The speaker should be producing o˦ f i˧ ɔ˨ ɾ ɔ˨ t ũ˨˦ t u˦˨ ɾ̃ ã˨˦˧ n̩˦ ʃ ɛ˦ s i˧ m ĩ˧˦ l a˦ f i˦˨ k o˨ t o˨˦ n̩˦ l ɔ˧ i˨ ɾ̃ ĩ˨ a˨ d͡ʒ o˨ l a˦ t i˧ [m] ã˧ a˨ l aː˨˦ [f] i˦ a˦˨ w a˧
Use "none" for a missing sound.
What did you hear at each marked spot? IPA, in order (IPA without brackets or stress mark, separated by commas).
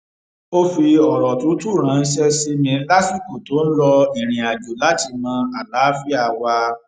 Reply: m, f